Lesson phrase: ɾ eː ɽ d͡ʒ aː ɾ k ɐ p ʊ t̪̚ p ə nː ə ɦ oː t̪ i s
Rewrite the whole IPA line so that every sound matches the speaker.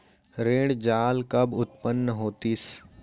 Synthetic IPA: ɾ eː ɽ d͡ʒ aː l k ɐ b ʊ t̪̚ p ə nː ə ɦ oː t̪ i s